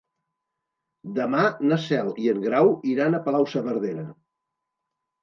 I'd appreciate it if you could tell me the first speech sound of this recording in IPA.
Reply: d̪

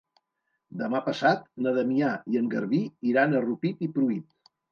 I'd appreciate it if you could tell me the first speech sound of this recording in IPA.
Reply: d̪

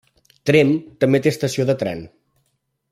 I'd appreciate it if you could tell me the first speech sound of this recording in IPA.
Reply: t̪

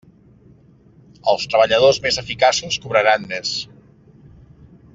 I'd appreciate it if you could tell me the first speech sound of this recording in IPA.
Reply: ə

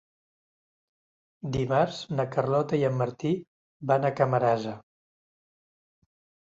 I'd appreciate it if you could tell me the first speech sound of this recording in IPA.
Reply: d̪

